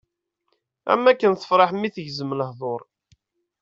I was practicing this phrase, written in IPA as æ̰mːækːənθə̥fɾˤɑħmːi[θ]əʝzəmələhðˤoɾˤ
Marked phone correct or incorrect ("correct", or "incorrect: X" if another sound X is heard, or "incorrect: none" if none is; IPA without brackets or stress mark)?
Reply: correct